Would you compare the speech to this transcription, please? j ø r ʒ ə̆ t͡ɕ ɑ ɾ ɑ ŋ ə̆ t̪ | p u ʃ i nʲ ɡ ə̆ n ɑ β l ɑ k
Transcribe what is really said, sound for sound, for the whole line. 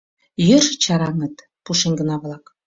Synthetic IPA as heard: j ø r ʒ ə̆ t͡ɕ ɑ ɾ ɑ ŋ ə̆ t̪ | p u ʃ e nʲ ɡ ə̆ n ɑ β l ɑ k